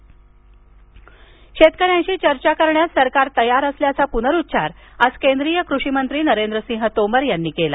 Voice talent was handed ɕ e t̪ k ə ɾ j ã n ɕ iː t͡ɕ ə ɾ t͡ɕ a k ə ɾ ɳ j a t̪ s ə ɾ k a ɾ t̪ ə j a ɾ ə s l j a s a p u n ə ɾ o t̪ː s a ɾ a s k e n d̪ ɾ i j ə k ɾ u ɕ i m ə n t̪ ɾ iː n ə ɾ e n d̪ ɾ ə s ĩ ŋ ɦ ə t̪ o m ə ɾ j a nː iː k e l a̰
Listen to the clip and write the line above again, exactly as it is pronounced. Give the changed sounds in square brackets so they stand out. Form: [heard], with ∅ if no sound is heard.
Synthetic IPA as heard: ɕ e t̪ k ə ɾ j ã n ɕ iː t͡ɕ ə ɾ t͡ɕ a k ə ɾ ɳ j a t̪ s ə ɾ k a ɾ t̪ ə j a ɾ ə s l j a [t͡s] a p u n ə ɾ [u] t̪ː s a ɾ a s k e n d̪ ɾ i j ə k ɾ u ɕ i m ə n t̪ ɾ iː n ə ɾ e n d̪ ɾ ə s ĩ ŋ ɦ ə t̪ o m ə ɾ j a nː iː k e l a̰

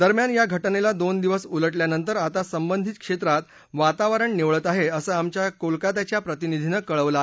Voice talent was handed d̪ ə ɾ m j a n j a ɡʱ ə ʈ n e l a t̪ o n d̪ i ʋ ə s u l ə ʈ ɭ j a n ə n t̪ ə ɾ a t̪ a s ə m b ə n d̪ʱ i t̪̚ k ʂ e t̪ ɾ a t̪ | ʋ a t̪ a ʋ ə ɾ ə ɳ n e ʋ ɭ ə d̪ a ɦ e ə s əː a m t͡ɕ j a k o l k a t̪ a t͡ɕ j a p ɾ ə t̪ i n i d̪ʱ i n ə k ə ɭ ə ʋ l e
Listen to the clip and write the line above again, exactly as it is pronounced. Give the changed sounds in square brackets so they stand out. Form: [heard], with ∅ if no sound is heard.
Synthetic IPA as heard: d̪ ə ɾ m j a n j a ɡʱ ə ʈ n e l a [d̪] o n d̪ i ʋ ə s u l ə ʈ [l] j a n ə n t̪ ə ɾ a t̪ a s ə m b ə n d̪ʱ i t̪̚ k ʂ e t̪ ɾ a t̪ | ʋ a t̪ a ʋ ə ɾ ə ɳ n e ʋ ɭ ə [t̪] a ɦ e ə s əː a m t͡ɕ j a k o l k a t̪ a t͡ɕ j a p ɾ ə t̪ i n i d̪ʱ i n ə k ə ɭ ə ʋ l [a]

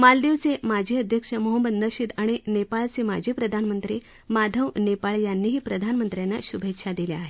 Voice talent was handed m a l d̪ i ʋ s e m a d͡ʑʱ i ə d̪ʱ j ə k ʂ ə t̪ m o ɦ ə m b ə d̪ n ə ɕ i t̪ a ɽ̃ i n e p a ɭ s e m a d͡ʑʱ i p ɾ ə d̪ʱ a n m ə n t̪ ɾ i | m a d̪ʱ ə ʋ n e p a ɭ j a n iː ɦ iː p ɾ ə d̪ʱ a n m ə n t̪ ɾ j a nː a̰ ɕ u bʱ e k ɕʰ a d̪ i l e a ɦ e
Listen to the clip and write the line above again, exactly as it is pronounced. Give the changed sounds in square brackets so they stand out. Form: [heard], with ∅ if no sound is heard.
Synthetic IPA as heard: m a l d̪ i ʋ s e m a d͡ʑʱ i ə d̪ʱ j ə k ʂ ə [∅] m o ɦ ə m b ə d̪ n ə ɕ i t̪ a ɽ̃ i n e p a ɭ s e m a d͡ʑʱ i p ɾ ə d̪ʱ a n m ə n t̪ ɾ i | m a d̪ʱ ə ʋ n e p a ɭ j a [nː] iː ɦ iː p ɾ ə d̪ʱ a n m ə n t̪ ɾ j a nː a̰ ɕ u bʱ e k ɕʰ a d̪ i l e a ɦ e

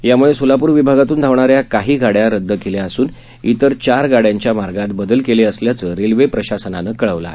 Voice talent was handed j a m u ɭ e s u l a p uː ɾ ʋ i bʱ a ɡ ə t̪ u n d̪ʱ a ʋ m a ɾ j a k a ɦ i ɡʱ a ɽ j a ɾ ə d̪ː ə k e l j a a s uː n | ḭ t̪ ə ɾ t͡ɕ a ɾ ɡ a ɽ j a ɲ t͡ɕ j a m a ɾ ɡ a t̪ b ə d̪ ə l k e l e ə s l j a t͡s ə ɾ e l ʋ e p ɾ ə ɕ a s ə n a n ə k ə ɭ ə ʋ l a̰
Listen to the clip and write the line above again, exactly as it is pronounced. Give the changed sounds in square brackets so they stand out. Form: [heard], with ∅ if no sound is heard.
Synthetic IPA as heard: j a m u ɭ e s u l a p uː ɾ ʋ i bʱ a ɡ [a] t̪ [uː] n d̪ʱ a ʋ [ɳ] a ɾ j a k a ɦ [iː] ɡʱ a ɽ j a ɾ ə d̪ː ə k e l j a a s uː n | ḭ t̪ ə ɾ t͡ɕ a ɾ ɡ a ɽ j a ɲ t͡ɕ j a m a ɾ ɡ a t̪ b ə d̪ ə l k e l e ə s l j a t͡s ə ɾ e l ʋ e p ɾ ə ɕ a s ə n a n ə k ə ɭ ə ʋ l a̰

